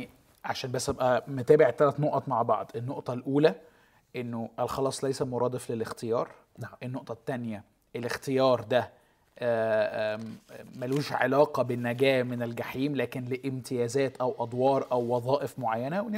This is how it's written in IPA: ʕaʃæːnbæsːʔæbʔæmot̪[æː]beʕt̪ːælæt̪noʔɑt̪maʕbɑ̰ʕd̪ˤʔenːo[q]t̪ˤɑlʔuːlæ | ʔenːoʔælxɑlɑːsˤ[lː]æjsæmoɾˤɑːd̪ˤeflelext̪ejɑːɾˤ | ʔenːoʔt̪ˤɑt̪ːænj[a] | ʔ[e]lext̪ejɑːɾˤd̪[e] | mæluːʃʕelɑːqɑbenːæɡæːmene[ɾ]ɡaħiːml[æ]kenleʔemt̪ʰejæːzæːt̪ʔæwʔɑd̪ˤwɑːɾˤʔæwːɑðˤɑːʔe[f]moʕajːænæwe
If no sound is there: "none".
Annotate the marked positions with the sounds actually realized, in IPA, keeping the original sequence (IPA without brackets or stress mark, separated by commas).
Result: æː, ʔ, l, æ, e, æ, l, æː, f